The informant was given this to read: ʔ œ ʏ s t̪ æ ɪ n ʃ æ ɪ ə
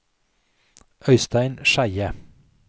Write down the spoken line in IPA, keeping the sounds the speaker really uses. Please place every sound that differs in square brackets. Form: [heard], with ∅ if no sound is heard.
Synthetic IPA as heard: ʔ œ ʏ s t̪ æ ɪ n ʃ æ ɪ ə